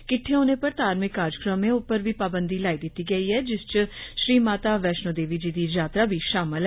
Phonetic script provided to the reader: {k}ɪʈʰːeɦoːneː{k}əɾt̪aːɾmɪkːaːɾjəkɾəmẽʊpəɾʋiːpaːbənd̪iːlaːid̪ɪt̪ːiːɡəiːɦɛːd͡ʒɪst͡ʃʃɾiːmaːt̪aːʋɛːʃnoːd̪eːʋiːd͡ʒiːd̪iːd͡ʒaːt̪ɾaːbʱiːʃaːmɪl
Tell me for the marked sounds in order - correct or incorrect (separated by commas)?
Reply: correct, incorrect